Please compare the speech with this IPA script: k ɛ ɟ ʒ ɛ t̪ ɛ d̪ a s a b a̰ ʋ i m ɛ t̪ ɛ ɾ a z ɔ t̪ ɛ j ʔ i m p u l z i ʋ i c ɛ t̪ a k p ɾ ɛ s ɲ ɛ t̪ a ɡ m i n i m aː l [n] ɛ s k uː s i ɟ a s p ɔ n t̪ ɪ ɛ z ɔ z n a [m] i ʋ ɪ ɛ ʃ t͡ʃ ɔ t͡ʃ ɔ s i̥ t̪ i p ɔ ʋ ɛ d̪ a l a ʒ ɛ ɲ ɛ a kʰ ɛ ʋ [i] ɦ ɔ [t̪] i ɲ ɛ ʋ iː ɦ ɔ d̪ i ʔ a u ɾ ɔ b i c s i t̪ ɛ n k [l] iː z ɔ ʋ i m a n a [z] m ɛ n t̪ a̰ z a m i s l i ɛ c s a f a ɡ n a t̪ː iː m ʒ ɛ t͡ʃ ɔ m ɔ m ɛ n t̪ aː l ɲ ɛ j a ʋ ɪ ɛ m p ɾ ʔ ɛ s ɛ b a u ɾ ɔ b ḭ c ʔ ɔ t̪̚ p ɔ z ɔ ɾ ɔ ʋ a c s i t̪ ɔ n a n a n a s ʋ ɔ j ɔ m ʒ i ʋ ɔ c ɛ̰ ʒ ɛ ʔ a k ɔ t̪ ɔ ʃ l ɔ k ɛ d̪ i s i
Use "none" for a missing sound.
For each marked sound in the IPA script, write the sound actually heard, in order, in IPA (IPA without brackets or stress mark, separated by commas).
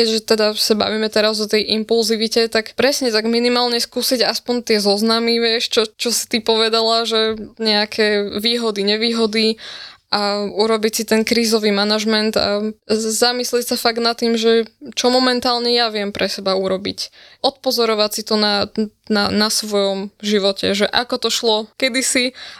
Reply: ɲ, m, iː, d̪, ɾ, ʒ